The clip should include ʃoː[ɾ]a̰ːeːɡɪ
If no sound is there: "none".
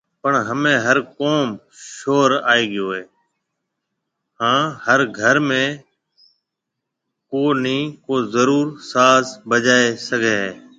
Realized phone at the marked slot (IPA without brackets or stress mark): ɾ